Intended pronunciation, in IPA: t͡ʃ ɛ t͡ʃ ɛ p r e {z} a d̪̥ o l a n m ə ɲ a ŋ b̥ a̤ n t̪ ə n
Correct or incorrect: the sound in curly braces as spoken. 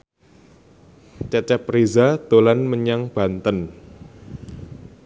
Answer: correct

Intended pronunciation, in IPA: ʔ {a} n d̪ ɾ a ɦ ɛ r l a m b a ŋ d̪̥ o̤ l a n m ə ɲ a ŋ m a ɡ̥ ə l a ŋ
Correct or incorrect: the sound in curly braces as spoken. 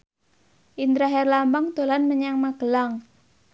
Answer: incorrect: i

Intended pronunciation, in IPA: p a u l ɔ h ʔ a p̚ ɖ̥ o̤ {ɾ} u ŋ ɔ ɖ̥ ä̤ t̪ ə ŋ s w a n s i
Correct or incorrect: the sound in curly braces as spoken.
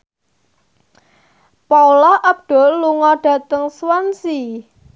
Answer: incorrect: l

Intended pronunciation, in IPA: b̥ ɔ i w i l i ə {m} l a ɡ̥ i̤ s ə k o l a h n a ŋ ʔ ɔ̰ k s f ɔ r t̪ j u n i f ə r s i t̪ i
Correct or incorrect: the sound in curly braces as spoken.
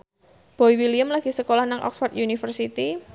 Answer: correct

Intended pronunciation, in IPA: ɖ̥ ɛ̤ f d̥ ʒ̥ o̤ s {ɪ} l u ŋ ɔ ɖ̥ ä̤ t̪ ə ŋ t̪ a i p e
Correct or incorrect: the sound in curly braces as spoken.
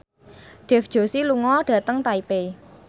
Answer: incorrect: i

